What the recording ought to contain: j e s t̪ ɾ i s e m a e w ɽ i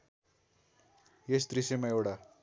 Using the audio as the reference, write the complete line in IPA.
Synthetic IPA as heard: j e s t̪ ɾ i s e m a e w ɽ a